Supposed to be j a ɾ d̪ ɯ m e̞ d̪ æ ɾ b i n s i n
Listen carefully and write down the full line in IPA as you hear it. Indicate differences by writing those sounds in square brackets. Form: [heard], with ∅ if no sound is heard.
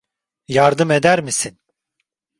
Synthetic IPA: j a ɾ d̪ ɯ m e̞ d̪ æ ɾ [m] i [∅] s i n